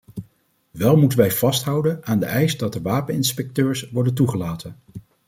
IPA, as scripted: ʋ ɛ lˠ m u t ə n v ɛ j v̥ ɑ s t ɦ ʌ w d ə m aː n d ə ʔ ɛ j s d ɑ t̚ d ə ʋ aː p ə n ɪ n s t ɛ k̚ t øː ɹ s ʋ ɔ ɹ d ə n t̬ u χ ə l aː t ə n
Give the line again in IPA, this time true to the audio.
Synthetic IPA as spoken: ʋ ɛ lˠ m u t ə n ʋ ɛ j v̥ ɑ s t ɦ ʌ w d ə n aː n d ə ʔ ɛ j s d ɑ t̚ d ə ʋ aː p ə n ɪ n s p ɛ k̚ t øː ɹ s ʋ ɔ ɹ d ə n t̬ u χ ə l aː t ə n